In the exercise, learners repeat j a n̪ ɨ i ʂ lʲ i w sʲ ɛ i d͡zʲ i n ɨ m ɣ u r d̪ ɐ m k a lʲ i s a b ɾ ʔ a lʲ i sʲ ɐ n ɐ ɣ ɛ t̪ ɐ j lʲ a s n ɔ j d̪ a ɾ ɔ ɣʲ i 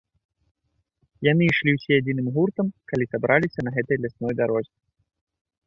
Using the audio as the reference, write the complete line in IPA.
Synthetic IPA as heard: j a n̪ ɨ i ʂ lʲ i w sʲ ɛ a d͡zʲ i n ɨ m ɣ u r t̪ ɐ m k a lʲ i s a b ɾ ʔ a lʲ i sʲ ɐ n ɐ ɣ ɛ t̪ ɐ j lʲ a s n ɔ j d̪ a ɾ ɔ zʲ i

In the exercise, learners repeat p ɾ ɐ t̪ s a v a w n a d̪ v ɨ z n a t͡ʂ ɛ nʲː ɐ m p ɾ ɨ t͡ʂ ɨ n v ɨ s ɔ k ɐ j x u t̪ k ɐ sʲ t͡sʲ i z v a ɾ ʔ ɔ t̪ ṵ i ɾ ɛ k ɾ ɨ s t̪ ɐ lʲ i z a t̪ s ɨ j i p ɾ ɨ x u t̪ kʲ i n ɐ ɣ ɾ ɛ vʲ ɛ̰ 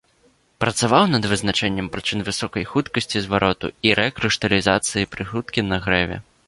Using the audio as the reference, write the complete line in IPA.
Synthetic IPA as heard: p ɾ ɐ t̪ s a v a w n ɐ d̪ v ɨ z n a t͡ʂ ɛ nʲː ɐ m p ɾ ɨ t͡ʂ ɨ n v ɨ s ɔ k ɐ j x u t̪ k ɐ sʲ t͡sʲ i z v a ɾ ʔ ɔ t̪ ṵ i ɾ ɛ k ɾ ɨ ʂ t̪ ɐ lʲ i z a t̪ s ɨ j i p ɾ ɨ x u t̪ kʲ i n ɐ ɣ ɾ ɛ vʲ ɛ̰

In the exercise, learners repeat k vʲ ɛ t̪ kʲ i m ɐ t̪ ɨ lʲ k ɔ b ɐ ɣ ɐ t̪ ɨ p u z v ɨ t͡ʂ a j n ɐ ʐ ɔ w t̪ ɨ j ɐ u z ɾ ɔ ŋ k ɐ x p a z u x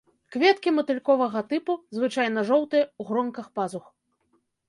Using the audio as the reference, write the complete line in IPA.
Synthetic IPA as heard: k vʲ ɛ t̪ kʲ i m ɐ t̪ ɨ lʲ k ɔ v ɐ ɣ ɐ t̪ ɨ p u z v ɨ t͡ʂ a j n ɐ ʐ ɔ w t̪ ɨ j ɐ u ɣ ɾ ɔ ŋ k ɐ x p a z u x

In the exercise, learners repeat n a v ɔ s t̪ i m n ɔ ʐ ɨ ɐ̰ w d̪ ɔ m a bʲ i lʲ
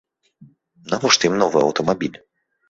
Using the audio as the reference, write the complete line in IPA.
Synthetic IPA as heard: n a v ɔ ʂ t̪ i m n ɔ v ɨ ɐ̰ w t̪ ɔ m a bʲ i lʲ

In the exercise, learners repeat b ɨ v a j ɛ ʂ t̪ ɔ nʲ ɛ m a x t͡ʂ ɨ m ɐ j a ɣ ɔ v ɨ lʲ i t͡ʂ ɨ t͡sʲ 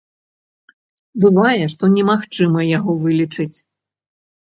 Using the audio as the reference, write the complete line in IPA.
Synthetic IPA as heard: b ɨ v a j ɛ ʂ t̪ ɔ nʲ ɛ m a x t͡ʂ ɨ m ɐ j a ɣ ɔ v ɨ lʲ i t͡ʂ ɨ t͡sʲ

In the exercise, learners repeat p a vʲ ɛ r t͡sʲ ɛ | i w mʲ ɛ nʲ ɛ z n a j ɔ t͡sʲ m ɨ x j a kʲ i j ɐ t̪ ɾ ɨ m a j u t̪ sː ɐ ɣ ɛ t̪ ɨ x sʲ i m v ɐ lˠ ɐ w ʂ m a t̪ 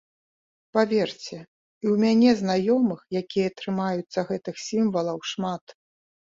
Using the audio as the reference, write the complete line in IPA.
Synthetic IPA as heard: p a vʲ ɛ r t͡sʲ ɛ | i w mʲ a nʲ ɛ z n a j ɔ m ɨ x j a kʲ i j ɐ t̪ ɾ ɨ m a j u t̪ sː ɐ ɣ ɛ t̪ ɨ x sʲ i m v ɐ lˠ ɐ w ʂ m a t̪

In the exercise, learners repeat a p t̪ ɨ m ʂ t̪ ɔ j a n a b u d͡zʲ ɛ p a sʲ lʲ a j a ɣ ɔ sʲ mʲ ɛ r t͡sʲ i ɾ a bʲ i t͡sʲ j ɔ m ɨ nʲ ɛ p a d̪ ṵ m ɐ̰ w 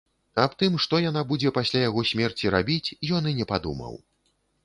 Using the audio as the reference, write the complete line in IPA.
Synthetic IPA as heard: a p t̪ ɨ m ʂ t̪ ɔ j a n a b u d͡zʲ ɛ p a sʲ lʲ a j a ɣ ɔ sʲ mʲ ɛ r t͡sʲ i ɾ a bʲ i t͡sʲ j ɔ n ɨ nʲ ɛ p a d̪ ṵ m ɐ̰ w

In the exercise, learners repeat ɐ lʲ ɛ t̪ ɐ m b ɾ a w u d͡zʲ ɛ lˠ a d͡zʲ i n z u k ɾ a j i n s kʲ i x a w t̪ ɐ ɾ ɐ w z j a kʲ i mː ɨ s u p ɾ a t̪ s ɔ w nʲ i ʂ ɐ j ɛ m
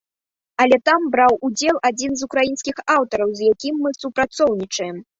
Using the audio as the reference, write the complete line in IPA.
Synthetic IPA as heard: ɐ lʲ ɛ t̪ a m b ɾ a w u d͡zʲ ɛ lˠ a d͡zʲ i n z u k ɾ a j i n s kʲ i x a w t̪ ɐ ɾ ɐ w z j a kʲ i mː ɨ s u p ɾ a t̪ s ɔ w nʲ i t͡ʂ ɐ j ɛ m

